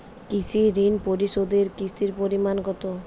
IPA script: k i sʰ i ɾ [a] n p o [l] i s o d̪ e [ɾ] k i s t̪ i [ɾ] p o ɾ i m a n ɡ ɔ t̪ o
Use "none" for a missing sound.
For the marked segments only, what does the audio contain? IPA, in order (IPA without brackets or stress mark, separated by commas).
i, ɾ, ɾ, ɾ